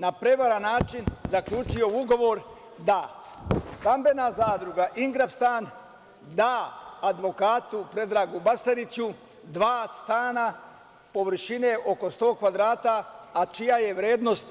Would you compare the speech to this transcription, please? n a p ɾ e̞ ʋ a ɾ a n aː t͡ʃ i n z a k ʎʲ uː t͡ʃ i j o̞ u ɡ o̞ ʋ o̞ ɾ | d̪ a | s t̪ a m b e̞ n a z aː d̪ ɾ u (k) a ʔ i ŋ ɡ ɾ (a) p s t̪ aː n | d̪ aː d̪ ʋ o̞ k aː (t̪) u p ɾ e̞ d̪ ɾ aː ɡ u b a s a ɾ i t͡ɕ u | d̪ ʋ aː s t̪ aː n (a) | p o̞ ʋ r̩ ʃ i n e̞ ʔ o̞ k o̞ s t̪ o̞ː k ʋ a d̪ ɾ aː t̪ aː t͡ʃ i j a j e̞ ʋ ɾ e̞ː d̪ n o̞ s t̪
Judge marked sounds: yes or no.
no, yes, yes, yes

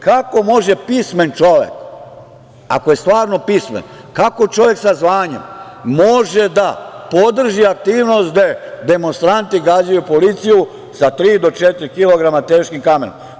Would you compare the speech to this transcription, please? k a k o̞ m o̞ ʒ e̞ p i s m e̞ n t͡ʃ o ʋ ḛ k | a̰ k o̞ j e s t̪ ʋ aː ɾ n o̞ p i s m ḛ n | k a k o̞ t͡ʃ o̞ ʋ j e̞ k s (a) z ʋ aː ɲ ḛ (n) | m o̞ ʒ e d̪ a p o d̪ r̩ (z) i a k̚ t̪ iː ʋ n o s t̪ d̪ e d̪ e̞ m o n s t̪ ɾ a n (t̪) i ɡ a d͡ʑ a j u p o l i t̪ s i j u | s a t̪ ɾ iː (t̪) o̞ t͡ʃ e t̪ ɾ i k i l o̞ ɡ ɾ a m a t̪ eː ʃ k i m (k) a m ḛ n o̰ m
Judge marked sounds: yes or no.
yes, no, no, yes, no, yes

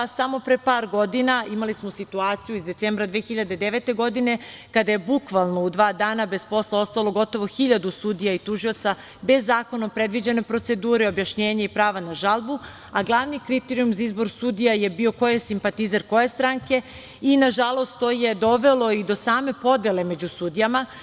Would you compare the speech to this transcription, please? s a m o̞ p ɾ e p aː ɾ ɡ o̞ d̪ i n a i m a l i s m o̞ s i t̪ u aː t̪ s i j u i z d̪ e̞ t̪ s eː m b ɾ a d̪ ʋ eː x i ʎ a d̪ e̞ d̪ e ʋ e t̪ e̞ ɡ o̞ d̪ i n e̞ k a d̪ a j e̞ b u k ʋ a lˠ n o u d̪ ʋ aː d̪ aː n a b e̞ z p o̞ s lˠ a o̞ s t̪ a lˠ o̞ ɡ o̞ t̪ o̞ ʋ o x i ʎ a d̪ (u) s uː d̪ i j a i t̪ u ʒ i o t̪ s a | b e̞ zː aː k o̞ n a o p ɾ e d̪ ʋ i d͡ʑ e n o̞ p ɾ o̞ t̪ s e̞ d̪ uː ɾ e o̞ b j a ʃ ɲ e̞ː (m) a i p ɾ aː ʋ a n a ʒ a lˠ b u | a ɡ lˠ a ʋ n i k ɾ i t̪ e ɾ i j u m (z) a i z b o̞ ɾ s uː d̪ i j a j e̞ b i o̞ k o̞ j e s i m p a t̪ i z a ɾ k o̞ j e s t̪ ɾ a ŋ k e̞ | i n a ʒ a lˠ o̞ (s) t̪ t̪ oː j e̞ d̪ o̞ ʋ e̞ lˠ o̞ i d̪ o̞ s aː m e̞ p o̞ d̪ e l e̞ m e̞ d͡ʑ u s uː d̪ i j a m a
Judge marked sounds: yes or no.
yes, no, yes, yes

